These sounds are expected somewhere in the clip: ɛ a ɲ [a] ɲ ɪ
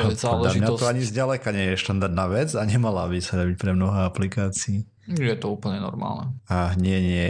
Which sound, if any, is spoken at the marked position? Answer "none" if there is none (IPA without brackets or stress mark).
ɛ